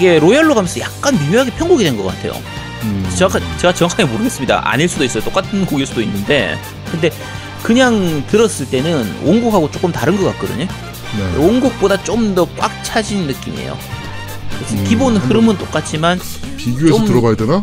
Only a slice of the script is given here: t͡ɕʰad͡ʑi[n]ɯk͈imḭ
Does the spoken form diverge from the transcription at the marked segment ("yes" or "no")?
yes